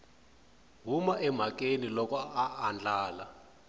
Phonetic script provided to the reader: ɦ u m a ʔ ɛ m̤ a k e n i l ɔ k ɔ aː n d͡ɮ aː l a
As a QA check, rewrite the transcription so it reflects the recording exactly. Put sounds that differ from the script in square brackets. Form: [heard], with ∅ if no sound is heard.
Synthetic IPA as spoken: ɦ u m a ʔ ɛ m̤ a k e n i l ɔ k ɔ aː n d͡ɮ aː l a